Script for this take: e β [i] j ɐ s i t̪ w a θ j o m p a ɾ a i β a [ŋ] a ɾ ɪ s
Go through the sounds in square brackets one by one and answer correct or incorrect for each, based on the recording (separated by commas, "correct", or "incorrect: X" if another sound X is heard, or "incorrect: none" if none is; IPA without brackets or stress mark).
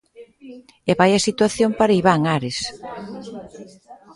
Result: incorrect: a, correct